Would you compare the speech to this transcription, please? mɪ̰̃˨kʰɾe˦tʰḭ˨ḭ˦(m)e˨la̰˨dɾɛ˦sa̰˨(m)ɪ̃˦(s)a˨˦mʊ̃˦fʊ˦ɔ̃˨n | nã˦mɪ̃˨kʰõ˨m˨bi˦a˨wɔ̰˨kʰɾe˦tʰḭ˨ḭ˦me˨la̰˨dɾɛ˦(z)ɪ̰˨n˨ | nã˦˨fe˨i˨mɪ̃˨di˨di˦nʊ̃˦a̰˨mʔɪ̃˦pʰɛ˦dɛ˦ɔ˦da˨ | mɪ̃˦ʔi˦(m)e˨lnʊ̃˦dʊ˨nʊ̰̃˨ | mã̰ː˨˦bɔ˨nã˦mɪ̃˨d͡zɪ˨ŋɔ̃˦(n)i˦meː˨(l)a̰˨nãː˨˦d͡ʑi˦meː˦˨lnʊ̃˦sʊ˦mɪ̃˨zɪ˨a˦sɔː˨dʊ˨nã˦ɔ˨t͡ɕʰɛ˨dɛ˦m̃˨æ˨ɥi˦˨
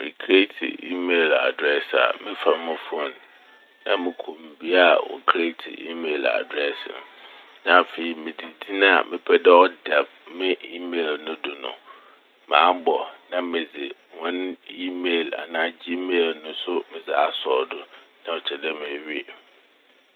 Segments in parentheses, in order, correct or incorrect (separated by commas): correct, correct, incorrect, incorrect, correct, correct, correct